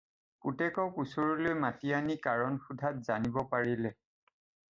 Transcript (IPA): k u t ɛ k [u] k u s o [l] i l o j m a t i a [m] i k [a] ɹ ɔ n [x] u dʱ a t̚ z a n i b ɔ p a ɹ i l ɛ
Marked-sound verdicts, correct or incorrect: incorrect, incorrect, incorrect, correct, correct

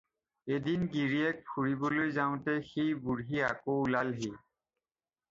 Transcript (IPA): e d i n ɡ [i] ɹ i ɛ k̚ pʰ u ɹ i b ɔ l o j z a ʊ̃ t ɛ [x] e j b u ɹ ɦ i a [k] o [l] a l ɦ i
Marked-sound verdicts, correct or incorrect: correct, correct, correct, correct

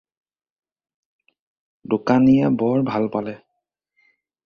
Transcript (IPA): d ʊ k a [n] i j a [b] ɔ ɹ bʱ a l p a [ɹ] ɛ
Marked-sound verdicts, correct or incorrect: correct, correct, incorrect

